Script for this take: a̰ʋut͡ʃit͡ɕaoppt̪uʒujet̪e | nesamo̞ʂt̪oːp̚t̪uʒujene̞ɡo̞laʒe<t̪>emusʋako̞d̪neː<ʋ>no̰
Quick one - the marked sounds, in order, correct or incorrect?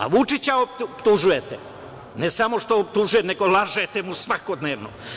correct, correct

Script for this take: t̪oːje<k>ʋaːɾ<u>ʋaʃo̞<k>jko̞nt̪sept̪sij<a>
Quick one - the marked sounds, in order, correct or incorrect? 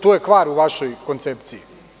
correct, correct, incorrect: none, incorrect: i

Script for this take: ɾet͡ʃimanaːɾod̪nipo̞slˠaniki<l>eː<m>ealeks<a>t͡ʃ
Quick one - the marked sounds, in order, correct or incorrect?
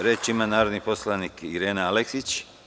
incorrect: ɾ, incorrect: n, incorrect: i

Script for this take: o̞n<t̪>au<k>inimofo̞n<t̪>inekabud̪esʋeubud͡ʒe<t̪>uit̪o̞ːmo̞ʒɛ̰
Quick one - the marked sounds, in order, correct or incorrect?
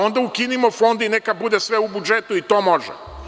incorrect: d̪, correct, incorrect: d̪, correct

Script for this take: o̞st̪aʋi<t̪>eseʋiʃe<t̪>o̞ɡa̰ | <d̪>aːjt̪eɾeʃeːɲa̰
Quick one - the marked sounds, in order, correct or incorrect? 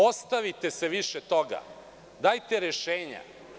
correct, correct, correct

